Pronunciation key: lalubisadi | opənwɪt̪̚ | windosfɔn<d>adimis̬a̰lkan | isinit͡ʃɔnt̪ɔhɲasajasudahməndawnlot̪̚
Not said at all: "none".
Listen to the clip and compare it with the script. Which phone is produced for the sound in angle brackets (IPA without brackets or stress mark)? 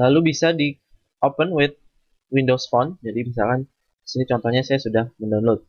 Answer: d͡ʒ